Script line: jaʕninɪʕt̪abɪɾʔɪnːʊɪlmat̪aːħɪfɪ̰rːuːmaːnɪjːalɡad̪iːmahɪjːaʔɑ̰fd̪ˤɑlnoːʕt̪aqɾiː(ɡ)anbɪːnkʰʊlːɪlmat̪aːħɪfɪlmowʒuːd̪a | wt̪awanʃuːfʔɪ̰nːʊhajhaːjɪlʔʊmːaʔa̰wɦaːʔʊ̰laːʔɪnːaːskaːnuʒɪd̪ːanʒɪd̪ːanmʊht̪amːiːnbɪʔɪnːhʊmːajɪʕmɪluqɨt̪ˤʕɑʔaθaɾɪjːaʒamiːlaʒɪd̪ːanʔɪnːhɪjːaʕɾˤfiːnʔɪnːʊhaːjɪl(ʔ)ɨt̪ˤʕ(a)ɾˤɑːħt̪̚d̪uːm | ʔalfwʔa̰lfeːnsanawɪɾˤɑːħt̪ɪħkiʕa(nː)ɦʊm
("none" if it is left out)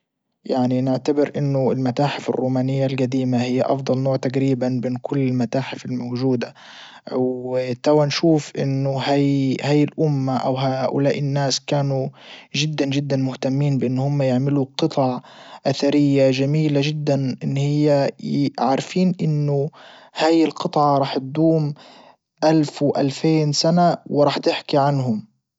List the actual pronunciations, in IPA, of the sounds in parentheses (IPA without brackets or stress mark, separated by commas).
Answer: b, q, ɑ, n